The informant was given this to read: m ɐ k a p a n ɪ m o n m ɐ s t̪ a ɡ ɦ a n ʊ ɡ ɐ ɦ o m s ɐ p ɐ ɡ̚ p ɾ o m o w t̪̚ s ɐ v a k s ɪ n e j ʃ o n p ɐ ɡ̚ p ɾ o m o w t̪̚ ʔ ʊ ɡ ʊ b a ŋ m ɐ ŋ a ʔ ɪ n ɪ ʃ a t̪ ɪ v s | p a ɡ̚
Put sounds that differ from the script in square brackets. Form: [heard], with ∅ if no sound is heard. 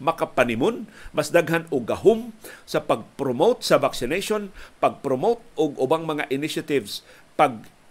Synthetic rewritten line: m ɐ k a p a n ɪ m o n m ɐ s [d̪] a ɡ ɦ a n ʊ ɡ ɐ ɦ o m s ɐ p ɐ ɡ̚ p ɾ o m o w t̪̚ s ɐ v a k s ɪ n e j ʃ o n p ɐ ɡ̚ p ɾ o m o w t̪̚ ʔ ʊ ɡ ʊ b a ŋ m ɐ ŋ a ʔ ɪ n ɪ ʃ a t̪ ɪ v s | p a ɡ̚